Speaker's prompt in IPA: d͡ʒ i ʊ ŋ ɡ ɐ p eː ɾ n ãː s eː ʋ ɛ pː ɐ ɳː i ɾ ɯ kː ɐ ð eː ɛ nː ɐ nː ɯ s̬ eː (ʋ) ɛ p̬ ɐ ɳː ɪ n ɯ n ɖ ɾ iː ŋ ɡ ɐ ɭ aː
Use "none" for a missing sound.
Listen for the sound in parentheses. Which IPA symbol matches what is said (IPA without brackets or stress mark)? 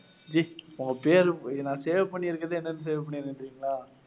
ʋ